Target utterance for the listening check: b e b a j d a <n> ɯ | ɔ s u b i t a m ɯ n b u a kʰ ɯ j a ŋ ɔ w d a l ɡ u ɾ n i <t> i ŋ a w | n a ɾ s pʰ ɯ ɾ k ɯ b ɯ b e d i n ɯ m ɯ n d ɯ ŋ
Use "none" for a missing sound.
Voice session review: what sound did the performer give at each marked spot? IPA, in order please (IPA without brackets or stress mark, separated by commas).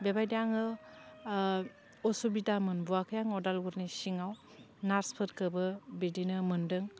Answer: ŋ, s